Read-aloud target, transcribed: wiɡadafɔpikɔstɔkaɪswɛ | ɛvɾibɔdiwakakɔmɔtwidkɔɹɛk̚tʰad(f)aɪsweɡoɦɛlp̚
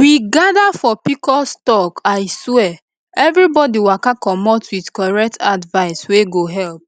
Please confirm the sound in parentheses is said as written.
no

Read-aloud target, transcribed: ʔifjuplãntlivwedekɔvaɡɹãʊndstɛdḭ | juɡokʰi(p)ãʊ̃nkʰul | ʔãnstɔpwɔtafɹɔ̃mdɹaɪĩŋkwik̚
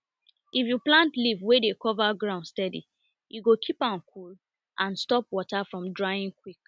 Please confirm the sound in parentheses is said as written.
yes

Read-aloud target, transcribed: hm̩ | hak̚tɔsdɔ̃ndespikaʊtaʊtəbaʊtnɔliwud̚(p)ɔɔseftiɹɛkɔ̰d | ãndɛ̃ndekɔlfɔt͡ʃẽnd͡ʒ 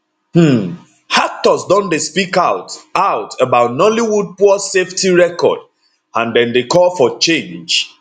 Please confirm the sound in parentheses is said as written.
yes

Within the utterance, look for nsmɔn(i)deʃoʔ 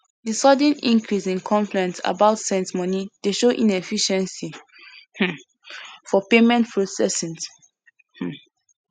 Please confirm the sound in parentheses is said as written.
yes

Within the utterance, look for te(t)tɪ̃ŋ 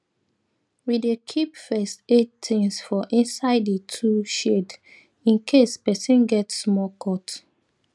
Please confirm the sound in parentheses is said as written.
yes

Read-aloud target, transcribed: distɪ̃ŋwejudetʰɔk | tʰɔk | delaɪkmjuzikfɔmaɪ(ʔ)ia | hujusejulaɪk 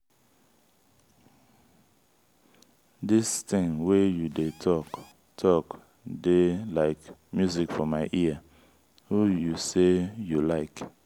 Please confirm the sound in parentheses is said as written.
yes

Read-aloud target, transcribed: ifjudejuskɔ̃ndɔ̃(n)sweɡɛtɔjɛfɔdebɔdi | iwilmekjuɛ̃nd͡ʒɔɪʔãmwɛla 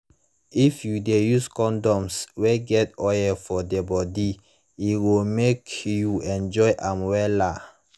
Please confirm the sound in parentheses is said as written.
no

